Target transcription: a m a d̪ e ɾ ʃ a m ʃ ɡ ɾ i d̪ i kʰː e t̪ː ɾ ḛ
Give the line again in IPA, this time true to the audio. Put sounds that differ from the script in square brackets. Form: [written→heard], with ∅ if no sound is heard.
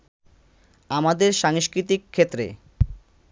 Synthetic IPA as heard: a m a d̪ e ɾ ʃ a [m→ŋ] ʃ [ɡ→k] ɾ i [d̪→t̪] i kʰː e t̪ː ɾ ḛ